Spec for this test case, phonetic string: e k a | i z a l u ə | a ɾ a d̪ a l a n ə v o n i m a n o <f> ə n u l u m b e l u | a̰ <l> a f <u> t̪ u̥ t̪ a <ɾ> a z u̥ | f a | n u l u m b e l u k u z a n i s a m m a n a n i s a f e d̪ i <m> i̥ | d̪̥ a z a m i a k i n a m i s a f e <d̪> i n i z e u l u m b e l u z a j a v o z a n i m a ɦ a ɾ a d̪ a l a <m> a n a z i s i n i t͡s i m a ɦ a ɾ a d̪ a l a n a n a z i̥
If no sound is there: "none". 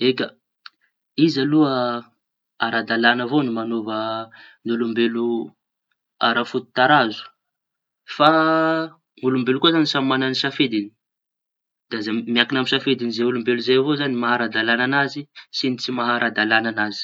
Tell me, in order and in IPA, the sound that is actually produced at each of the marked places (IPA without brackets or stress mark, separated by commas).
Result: v, ɾ, u, ɾ, n, d̪, n